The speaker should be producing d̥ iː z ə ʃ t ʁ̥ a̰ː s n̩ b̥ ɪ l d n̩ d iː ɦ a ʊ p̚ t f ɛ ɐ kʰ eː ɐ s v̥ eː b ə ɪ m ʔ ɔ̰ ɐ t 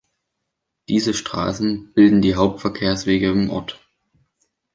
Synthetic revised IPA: d̥ iː z ə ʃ t ʁ̥ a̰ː s n̩ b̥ ɪ l d n̩ d iː ɦ a ʊ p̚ t f ɛ ɐ kʰ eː ɐ s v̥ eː ɡ ə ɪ m ʔ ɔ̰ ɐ t